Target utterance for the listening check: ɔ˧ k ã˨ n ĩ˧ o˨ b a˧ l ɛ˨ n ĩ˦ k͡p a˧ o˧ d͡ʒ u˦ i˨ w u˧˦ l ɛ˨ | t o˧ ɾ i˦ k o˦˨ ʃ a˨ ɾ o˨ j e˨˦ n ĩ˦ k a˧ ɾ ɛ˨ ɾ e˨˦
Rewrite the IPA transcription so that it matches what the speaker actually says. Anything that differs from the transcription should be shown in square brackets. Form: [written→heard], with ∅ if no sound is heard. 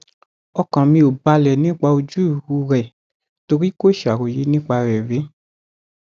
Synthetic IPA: ɔ˧ k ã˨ [n→m] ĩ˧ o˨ b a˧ l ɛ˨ n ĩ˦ k͡p a˧ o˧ d͡ʒ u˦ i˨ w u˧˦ [l→ɾ] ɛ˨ | t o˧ ɾ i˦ k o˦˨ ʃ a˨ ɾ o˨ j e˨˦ n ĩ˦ [k→k͡p] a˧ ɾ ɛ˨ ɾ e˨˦